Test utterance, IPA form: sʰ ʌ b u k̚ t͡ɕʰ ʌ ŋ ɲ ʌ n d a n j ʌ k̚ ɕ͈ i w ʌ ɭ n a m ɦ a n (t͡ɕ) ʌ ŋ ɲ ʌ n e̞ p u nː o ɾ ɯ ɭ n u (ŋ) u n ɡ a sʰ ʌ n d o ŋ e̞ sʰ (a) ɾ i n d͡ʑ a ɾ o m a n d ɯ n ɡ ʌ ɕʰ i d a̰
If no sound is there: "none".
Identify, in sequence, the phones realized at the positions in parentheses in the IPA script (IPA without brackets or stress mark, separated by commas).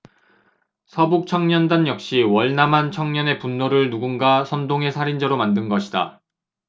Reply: t͡ɕʰ, ɡ, a